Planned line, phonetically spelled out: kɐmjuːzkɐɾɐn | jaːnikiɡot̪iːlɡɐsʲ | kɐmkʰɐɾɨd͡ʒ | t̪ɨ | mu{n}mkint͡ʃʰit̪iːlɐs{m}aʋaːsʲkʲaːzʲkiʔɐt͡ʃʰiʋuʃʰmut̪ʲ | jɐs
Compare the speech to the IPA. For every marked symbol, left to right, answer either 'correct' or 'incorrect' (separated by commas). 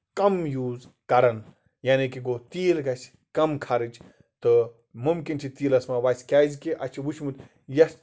incorrect, correct